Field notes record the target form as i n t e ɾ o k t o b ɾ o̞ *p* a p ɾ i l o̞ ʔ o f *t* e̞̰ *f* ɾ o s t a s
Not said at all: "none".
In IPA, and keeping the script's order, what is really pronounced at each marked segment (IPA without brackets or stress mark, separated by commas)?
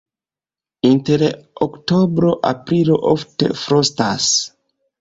ʔ, t, f